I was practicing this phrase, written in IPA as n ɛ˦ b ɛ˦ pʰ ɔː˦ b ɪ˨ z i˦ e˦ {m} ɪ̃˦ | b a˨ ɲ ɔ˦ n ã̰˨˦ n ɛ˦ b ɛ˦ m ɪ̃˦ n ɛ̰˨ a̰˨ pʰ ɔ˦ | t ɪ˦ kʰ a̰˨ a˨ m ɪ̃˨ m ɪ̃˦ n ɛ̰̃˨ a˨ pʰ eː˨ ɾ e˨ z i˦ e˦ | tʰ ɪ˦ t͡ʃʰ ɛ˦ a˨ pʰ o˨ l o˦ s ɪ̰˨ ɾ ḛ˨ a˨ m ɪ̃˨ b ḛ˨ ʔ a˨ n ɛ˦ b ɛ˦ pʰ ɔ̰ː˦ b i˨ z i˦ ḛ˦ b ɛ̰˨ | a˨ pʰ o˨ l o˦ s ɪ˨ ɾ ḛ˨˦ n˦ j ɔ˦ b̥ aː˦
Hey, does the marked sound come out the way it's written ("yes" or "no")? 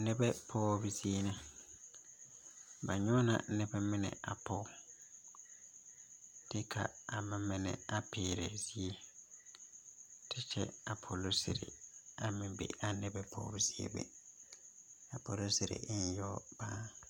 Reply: no